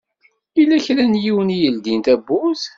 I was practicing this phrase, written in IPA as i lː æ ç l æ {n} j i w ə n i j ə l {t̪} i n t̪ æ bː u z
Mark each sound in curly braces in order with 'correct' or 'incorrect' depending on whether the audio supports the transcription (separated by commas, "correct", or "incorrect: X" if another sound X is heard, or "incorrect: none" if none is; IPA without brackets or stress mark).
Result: correct, incorrect: d̪